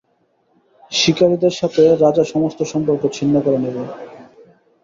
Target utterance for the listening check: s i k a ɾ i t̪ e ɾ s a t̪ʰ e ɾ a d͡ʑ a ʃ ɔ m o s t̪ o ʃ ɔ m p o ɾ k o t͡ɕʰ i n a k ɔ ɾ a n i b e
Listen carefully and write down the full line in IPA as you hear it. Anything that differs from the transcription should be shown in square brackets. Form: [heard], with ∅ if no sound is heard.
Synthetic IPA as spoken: [ʃ] i k a ɾ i [d̪] e ɾ [ʃ] a t̪ʰ e ɾ a d͡ʑ a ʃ ɔ m o s t̪ o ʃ ɔ m p o ɾ k o t͡ɕʰ i [nː] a k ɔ ɾ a n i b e